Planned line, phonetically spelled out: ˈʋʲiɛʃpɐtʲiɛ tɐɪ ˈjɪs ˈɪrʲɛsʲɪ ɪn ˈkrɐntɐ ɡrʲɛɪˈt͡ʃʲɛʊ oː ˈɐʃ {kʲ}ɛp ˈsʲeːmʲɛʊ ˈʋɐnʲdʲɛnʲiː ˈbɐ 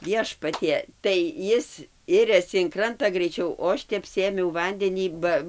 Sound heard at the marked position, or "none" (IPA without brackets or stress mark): tʲ